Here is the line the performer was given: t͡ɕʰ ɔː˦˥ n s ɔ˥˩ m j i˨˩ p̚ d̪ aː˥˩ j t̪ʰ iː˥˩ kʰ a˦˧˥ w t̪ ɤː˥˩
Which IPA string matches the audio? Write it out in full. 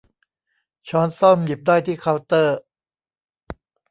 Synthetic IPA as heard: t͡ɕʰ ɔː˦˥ n s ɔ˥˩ m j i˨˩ p̚ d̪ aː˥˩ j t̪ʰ iː˥˩ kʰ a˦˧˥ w t̪ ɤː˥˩